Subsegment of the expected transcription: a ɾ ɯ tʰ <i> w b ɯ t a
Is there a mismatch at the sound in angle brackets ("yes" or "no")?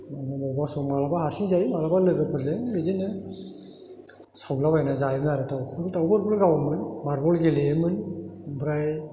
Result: yes